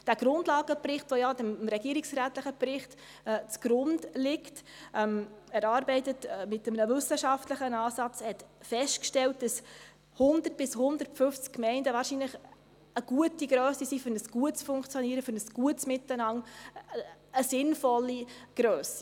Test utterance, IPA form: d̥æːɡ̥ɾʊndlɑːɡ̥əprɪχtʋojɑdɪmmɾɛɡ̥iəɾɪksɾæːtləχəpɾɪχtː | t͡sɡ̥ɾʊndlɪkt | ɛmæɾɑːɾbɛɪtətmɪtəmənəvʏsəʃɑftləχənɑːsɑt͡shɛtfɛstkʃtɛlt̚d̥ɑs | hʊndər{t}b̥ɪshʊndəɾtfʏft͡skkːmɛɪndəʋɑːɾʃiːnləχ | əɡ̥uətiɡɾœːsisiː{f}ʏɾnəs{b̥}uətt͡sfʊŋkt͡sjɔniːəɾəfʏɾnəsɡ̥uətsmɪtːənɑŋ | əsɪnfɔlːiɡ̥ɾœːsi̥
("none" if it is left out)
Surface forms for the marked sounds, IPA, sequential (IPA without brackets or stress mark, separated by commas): t, f, ɡ̥